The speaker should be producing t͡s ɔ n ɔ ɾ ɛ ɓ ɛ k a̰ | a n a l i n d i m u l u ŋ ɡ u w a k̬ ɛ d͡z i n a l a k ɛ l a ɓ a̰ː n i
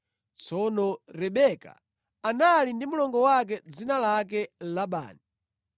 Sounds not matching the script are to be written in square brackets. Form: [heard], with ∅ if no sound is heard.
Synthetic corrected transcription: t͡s ɔ n ɔ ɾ ɛ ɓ ɛ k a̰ | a n a l i n d i m u l [ɔ] ŋ ɡ [ɔ] w a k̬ ɛ d͡z i n a l a k ɛ l a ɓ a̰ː n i